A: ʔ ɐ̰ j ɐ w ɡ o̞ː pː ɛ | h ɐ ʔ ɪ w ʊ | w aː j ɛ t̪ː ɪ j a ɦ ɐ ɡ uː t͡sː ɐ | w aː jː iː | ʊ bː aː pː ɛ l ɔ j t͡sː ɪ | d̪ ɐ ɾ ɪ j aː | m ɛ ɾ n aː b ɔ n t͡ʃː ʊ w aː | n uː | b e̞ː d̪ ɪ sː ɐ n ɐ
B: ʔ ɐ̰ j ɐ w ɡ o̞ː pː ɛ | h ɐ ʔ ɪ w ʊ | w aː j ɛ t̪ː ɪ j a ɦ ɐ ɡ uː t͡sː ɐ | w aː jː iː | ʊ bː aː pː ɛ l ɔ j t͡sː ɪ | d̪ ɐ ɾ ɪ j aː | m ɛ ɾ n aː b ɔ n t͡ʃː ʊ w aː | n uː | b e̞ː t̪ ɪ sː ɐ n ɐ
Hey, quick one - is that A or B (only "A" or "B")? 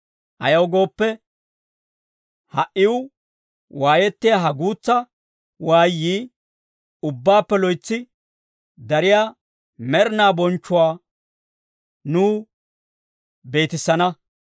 B